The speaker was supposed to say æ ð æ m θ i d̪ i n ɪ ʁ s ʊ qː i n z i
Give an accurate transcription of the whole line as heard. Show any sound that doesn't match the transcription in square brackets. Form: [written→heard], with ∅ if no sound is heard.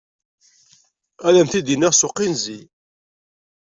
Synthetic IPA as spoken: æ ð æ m θ i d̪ i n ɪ ʁ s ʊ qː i n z i